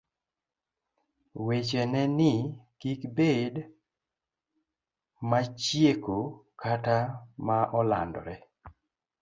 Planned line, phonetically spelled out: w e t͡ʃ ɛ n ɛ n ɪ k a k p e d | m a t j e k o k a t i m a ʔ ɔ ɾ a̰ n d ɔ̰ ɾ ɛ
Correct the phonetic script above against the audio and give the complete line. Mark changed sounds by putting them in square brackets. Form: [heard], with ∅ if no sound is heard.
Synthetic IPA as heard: w e t͡ʃ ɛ n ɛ n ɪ k [i] k [b] e d | m a [t͡ʃ] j e k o k a t [a] m a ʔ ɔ [l] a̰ n d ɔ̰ ɾ ɛ